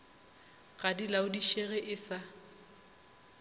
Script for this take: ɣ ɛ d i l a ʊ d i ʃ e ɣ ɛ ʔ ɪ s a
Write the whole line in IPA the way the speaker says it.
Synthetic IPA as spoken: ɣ a d i l a ʊ d i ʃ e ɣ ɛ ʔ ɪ s a